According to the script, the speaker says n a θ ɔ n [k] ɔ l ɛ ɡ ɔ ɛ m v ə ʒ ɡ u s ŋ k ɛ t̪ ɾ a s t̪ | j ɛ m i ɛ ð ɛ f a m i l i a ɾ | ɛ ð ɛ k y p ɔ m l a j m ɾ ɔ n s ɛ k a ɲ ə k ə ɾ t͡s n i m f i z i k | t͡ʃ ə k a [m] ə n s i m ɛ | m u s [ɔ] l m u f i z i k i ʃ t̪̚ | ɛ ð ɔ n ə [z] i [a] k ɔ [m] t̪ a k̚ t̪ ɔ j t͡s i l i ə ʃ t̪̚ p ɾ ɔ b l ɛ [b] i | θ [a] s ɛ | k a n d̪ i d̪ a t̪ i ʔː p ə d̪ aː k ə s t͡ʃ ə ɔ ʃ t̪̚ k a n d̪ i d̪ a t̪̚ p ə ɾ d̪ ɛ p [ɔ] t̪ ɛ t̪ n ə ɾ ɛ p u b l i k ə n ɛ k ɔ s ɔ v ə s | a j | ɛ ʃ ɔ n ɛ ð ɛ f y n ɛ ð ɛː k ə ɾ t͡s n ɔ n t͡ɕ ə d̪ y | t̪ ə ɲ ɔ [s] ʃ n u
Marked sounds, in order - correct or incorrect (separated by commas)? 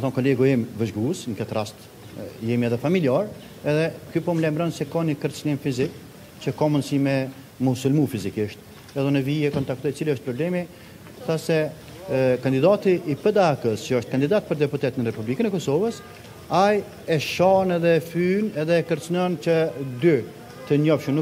correct, correct, incorrect, incorrect, incorrect, incorrect, incorrect, correct, incorrect, incorrect